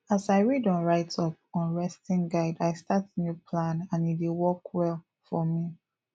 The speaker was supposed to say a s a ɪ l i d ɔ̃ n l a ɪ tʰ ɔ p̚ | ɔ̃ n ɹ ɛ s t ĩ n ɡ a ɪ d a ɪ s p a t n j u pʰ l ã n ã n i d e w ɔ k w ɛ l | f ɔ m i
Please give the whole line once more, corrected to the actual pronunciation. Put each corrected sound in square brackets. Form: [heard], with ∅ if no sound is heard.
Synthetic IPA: a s a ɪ [ɹ] i d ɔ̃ n [ɹ] a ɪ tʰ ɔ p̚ | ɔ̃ n ɹ ɛ s t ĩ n ɡ a ɪ d a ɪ s [t] a t n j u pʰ l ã n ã n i d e w ɔ k w ɛ l | f ɔ m i